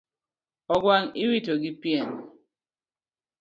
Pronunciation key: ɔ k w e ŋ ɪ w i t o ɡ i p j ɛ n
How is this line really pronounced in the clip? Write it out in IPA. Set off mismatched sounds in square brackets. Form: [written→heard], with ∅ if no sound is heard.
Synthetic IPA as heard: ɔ [k→ɡ] w [e→a] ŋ [ɪ→i] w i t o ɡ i p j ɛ n